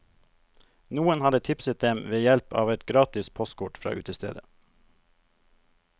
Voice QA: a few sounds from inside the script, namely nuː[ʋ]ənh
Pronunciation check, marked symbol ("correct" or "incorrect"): incorrect